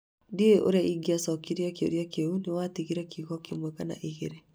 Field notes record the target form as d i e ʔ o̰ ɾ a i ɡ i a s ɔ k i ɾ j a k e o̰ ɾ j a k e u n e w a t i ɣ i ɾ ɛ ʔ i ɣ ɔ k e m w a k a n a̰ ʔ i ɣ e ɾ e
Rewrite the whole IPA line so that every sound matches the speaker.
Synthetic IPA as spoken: d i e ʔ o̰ ɾ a i ɡ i a s ɔ k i ɾ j a k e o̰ ɾ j a k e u n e w a t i ɣ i ɾ ɛ k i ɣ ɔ k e m w ɛ k a n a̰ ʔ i ɣ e ɾ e